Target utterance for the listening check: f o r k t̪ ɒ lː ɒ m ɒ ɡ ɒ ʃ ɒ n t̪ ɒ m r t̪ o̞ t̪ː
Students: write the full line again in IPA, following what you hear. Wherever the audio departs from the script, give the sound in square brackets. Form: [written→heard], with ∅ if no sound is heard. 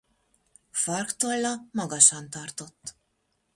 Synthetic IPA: f [o→ɒ] r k t̪ [ɒ→o] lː ɒ m ɒ ɡ ɒ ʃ ɒ n t̪ ɒ [m→∅] r t̪ o̞ t̪ː